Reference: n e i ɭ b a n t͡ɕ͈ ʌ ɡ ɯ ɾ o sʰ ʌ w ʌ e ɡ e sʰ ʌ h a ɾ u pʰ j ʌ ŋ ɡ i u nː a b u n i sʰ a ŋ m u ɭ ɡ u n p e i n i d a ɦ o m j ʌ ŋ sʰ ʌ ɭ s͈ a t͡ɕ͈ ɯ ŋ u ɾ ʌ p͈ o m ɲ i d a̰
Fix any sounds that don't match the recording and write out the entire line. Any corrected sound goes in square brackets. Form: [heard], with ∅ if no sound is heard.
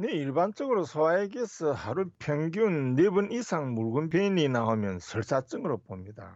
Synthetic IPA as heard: n e i ɭ b a n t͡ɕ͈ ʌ ɡ ɯ ɾ o sʰ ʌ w [a] e ɡ e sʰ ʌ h a ɾ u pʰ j ʌ ŋ ɡ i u nː [e] b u n i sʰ a ŋ m u ɭ ɡ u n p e i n i [n] a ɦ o m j ʌ [n] sʰ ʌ ɭ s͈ a t͡ɕ͈ ɯ ŋ [ɯ] ɾ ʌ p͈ o m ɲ i d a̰